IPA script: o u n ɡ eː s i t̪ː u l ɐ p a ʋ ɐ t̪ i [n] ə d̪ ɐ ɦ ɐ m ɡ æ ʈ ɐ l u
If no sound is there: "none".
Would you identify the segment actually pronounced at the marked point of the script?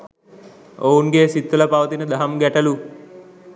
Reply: n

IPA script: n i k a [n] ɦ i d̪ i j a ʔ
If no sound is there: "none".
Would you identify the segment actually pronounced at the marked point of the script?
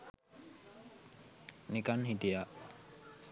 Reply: n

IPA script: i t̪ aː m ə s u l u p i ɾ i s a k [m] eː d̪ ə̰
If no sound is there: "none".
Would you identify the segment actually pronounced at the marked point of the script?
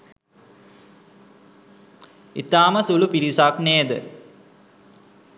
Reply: n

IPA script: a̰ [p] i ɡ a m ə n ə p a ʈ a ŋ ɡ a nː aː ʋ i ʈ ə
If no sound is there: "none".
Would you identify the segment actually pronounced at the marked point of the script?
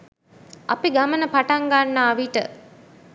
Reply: p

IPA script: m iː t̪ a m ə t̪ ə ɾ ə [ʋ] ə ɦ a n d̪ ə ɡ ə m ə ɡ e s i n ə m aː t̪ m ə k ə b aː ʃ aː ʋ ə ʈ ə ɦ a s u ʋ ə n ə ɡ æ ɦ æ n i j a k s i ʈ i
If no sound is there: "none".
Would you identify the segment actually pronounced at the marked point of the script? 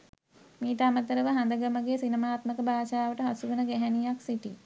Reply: ʋ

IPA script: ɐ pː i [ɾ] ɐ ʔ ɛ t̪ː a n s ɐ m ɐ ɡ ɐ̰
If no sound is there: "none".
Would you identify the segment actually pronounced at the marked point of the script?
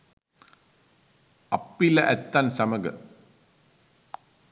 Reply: l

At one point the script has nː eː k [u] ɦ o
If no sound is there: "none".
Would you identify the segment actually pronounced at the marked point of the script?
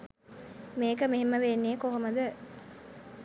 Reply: o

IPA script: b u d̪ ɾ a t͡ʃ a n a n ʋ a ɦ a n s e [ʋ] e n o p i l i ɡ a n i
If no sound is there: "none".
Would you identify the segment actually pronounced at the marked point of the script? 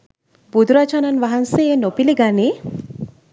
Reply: none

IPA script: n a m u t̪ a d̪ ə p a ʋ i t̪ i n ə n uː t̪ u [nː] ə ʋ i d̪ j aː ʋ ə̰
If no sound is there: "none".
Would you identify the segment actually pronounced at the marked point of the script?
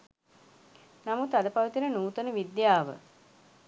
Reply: n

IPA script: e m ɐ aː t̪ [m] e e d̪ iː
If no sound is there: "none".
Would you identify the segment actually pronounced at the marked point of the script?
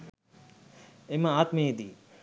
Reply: m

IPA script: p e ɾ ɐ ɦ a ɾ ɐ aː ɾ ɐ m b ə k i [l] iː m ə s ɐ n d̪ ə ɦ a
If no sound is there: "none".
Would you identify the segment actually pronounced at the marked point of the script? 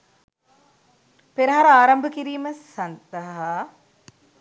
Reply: ɾ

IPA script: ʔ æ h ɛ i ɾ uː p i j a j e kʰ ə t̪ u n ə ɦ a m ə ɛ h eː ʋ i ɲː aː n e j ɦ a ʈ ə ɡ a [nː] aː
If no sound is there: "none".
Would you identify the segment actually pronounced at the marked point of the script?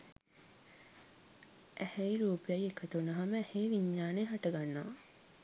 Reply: nː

